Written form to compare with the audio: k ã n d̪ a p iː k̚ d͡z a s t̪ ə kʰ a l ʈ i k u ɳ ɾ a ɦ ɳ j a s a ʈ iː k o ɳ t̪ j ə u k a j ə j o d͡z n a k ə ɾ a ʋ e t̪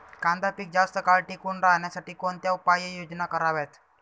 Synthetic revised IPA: k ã n d̪ a p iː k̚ d͡z a s t̪ ə k a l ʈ i k u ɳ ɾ a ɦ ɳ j a s a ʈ iː k o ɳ t̪ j a u p a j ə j o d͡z n a k ə ɾ a ʋ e t̪